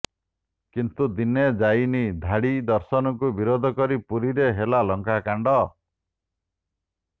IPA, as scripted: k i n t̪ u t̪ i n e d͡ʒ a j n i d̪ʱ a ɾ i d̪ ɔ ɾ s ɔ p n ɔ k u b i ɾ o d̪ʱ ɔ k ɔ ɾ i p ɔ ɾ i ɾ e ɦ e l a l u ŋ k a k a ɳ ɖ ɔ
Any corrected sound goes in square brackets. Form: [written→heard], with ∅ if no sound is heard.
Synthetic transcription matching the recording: k i n t̪ u [t̪→d̪] i n e d͡ʒ a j n i d̪ʱ a [ɾ→ɽ] i d̪ ɔ ɾ s ɔ [p→∅] n ɔ k u b i ɾ o d̪ʱ ɔ k ɔ ɾ i p [ɔ→u] ɾ i ɾ e ɦ e l a l [u→ɔ] ŋ k a k a ɳ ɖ ɔ